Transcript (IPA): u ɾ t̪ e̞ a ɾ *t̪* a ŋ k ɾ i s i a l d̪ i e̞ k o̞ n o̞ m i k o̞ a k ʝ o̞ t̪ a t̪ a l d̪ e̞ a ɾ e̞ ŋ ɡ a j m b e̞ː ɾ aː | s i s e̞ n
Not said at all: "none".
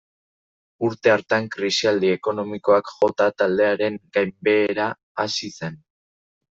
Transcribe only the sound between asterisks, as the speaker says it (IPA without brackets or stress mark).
t̪